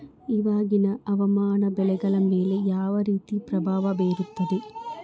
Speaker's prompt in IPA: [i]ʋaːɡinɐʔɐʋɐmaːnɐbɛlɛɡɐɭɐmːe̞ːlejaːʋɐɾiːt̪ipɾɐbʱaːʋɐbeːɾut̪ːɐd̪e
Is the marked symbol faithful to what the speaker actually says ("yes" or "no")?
yes